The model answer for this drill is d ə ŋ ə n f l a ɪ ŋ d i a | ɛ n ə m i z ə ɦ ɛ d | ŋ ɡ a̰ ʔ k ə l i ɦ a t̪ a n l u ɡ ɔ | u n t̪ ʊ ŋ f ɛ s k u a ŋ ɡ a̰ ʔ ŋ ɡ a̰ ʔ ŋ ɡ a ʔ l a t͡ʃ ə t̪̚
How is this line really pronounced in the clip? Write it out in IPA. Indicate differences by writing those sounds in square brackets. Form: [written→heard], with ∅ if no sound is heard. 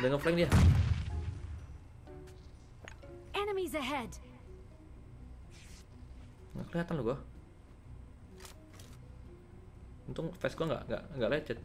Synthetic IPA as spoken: d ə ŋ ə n f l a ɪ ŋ d i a | ɛ n ə m i z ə ɦ ɛ d | ŋ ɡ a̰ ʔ k ə l i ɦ a t̪ a n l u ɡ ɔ | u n t̪ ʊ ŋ f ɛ s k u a ŋ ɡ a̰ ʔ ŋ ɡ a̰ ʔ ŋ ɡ a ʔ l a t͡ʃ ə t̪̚